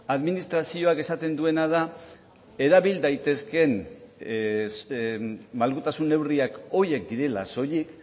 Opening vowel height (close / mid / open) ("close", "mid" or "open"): open